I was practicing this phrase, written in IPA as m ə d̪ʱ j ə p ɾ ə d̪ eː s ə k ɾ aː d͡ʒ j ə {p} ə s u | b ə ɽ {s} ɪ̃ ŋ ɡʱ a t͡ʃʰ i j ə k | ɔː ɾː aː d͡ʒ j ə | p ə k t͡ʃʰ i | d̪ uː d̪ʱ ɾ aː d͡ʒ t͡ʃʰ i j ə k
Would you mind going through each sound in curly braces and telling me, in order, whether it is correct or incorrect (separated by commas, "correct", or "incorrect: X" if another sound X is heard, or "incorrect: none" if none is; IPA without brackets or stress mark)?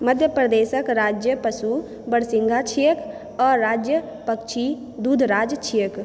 correct, correct